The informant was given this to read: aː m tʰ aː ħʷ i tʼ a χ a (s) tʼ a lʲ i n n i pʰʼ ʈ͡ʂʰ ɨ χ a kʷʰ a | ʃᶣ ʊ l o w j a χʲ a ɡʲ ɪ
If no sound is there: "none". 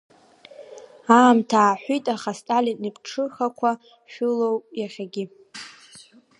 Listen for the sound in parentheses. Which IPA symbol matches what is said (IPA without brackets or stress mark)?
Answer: s